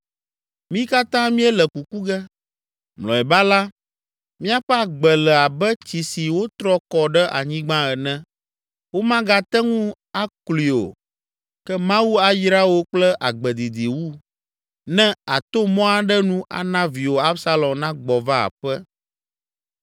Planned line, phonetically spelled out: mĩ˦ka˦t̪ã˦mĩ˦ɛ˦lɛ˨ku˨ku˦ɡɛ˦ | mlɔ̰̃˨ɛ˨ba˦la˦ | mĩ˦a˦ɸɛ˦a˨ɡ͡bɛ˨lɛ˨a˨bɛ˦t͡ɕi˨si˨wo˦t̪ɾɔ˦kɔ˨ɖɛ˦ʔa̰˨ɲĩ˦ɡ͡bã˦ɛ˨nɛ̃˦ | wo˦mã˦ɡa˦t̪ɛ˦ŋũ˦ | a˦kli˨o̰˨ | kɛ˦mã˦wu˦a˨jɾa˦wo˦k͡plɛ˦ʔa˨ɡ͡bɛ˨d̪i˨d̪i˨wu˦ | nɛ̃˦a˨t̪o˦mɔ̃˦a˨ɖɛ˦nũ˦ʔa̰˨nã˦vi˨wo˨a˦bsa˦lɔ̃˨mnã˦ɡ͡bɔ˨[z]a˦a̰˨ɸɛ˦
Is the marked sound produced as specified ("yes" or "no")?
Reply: no